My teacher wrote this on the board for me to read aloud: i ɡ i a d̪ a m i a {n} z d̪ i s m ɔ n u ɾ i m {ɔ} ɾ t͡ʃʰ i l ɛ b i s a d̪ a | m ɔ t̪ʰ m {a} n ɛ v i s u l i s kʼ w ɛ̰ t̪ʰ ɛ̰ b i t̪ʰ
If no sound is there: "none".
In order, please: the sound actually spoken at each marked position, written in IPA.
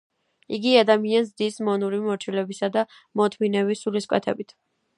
n, ɔ, i

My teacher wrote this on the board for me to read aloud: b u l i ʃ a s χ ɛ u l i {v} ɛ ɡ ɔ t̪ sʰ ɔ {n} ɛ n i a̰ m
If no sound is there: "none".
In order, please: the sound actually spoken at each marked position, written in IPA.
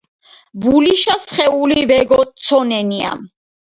v, n

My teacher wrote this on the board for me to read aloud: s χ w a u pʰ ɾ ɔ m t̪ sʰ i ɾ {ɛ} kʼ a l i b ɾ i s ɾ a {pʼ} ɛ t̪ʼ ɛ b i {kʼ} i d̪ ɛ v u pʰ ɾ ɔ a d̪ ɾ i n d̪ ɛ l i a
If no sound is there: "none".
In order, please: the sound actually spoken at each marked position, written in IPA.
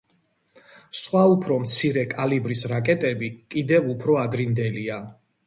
ɛ, kʼ, kʼ

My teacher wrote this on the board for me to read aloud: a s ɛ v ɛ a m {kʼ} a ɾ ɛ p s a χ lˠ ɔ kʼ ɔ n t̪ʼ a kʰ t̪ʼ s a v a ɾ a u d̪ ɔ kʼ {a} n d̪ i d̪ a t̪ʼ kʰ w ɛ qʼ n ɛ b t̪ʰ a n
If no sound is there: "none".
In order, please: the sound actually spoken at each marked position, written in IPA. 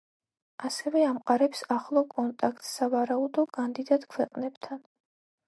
qʼ, a

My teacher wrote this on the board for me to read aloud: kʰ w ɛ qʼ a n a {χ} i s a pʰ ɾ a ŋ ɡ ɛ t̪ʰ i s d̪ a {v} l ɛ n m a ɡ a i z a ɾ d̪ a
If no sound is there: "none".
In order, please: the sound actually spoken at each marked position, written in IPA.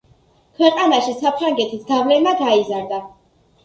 ʃ, v

